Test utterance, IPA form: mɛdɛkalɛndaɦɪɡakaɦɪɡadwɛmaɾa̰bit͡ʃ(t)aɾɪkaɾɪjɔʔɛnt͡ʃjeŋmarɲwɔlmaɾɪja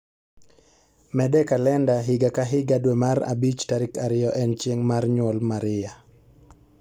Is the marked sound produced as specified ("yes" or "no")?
yes